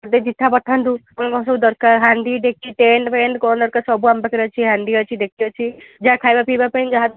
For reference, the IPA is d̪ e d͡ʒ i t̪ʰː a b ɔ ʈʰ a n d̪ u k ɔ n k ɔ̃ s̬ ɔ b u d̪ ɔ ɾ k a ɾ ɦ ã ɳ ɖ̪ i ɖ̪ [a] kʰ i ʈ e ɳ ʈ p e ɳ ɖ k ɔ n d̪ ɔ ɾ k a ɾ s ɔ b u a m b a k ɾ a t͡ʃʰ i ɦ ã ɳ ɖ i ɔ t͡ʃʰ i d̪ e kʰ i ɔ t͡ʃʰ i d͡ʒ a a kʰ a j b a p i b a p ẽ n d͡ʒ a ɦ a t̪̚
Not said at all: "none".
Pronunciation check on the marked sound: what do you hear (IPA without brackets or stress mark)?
e